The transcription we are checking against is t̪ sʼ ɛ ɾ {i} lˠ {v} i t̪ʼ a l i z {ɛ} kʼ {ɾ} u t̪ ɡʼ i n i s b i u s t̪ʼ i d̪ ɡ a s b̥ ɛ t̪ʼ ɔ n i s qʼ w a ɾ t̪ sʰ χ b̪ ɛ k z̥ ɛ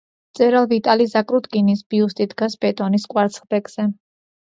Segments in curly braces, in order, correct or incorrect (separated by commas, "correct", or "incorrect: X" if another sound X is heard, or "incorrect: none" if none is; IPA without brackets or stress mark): incorrect: a, correct, incorrect: a, correct